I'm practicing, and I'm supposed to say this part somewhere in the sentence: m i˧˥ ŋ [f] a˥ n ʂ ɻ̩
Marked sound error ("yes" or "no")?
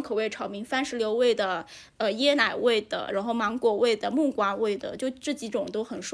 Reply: no